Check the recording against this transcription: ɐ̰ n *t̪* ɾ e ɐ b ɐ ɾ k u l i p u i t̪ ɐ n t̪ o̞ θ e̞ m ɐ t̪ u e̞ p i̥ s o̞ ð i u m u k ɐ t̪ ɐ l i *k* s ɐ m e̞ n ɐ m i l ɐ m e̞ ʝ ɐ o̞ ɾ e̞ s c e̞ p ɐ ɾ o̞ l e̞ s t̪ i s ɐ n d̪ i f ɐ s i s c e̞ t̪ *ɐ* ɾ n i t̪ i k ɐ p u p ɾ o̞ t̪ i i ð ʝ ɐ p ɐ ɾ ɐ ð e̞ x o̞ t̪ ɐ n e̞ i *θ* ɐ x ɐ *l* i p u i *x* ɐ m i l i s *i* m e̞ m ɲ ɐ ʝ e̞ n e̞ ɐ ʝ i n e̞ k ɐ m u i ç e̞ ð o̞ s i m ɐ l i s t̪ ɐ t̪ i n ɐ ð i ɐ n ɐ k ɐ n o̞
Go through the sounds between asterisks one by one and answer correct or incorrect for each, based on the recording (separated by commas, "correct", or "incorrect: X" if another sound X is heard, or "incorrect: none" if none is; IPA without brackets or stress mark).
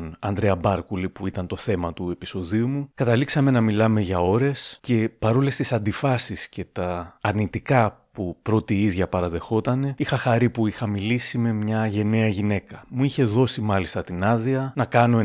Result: incorrect: d̪, correct, incorrect: ɐː, incorrect: x, incorrect: ɾ, correct, correct